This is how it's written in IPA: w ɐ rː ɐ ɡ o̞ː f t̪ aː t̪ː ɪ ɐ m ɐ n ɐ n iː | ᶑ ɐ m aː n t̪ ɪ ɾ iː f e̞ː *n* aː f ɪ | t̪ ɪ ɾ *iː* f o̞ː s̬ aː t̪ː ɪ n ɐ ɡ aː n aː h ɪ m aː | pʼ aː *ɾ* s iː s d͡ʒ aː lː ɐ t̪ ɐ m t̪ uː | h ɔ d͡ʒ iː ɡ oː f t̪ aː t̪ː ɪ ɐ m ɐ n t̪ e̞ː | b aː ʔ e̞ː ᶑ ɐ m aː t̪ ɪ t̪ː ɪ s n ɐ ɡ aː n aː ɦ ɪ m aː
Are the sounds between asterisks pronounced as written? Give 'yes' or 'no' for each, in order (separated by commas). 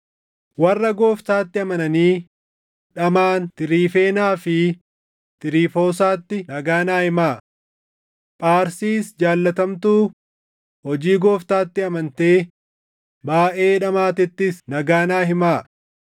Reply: yes, yes, yes